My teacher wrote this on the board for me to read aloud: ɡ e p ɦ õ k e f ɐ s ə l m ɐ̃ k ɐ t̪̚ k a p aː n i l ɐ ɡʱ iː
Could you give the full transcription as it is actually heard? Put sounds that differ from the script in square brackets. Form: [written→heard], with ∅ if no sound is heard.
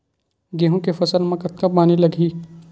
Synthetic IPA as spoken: ɡ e [p→∅] ɦ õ k e f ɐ s ə l m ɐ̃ k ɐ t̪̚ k a p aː n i l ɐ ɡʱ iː